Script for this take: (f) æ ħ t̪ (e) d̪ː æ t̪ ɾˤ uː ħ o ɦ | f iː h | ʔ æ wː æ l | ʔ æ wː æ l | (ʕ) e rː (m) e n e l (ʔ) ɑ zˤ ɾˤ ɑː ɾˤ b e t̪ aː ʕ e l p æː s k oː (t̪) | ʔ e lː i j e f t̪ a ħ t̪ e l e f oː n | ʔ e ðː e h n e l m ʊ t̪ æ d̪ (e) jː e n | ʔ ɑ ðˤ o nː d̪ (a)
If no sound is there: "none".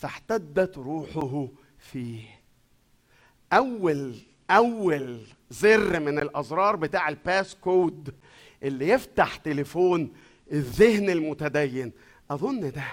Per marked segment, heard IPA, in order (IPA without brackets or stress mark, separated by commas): f, æ, z, m, ʔ, d̪, æ, æ